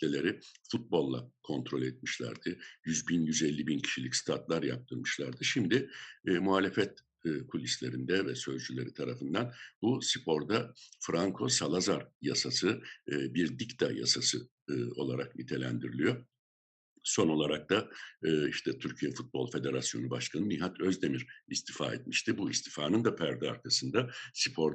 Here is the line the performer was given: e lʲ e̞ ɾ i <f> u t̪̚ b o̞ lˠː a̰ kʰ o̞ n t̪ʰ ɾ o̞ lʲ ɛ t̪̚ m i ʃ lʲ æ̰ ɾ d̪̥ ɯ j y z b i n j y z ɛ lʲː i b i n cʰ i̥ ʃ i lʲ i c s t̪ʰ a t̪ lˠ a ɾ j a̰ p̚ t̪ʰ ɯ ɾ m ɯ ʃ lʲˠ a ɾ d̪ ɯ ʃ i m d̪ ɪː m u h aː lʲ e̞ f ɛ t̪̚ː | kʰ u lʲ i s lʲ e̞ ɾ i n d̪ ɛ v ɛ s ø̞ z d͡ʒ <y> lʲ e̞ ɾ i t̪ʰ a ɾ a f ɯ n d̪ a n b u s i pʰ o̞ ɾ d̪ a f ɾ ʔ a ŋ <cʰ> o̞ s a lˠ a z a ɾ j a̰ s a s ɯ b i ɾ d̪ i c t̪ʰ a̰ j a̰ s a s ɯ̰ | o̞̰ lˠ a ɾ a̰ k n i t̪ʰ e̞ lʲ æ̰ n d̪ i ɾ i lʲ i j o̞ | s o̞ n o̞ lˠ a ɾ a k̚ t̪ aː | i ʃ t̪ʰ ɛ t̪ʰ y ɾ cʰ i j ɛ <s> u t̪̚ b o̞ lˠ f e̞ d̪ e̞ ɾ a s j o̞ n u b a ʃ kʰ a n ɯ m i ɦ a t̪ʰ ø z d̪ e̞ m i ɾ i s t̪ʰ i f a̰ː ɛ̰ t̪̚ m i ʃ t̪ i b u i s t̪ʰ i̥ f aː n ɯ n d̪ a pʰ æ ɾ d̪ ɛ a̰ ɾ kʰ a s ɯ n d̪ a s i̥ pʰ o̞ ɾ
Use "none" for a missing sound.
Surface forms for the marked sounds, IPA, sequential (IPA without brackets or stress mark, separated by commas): f, y, kʰ, f